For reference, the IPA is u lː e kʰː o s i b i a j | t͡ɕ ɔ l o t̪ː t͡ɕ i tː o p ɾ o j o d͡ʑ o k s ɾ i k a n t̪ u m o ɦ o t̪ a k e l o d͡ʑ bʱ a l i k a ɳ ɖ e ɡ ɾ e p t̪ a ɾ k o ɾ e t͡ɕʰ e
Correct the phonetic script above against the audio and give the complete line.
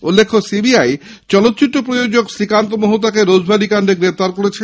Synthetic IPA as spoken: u lː e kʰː o s i b i a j | t͡ɕ ɔ l o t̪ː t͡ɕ i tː o p ɾ o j o d͡ʑ o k s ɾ i k a n t̪ o m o ɦ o t̪ a k e ɾ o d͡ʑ bʱ a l i k a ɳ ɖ e ɡ ɾ e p t̪ a ɾ k o ɾ e t͡ɕʰ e